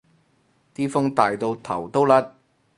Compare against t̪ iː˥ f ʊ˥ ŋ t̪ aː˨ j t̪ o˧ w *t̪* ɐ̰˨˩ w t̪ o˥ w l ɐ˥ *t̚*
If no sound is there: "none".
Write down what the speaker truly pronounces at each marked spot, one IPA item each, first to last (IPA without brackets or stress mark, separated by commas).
t̪ʰ, t̚